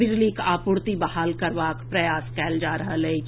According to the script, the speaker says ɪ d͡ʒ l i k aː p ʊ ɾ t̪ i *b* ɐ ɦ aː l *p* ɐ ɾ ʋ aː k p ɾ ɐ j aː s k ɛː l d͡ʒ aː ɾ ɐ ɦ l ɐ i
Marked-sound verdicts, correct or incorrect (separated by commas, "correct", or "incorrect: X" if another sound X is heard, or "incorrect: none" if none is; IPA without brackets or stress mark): correct, incorrect: k